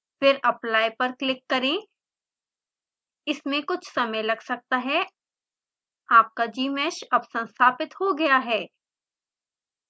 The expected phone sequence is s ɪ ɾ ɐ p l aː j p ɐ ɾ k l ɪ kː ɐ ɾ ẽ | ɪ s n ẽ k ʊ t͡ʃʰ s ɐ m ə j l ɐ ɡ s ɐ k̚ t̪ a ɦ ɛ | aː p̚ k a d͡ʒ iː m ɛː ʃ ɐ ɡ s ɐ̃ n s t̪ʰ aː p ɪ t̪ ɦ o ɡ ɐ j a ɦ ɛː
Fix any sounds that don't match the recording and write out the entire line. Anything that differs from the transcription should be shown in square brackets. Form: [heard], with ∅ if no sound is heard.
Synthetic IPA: [f] ɪ ɾ ɐ p l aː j p ɐ ɾ k l ɪ kː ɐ ɾ ẽ | ɪ s [m] ẽ k ʊ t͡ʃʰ s ɐ m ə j l ɐ ɡ s ɐ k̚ t̪ a ɦ ɛ | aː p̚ k a d͡ʒ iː m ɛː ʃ ɐ [b] s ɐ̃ n s t̪ʰ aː p ɪ t̪ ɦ o ɡ ɐ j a ɦ ɛː